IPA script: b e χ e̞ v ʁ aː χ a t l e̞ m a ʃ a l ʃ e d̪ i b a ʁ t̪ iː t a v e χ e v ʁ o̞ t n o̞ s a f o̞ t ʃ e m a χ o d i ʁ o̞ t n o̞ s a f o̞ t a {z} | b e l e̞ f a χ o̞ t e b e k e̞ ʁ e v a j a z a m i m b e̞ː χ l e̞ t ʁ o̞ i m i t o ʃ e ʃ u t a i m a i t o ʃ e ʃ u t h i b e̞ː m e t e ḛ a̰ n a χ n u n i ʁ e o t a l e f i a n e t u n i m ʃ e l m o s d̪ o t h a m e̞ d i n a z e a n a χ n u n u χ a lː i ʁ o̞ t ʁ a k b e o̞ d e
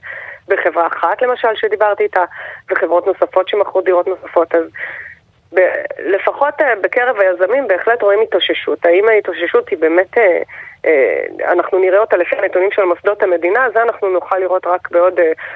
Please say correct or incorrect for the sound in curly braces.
correct